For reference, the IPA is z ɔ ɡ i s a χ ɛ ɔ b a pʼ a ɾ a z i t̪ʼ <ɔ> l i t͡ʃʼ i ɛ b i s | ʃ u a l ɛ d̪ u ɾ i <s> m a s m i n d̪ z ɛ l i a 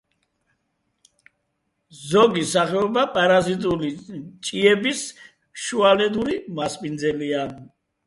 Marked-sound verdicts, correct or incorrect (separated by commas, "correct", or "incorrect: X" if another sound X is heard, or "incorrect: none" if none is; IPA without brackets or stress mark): incorrect: u, incorrect: none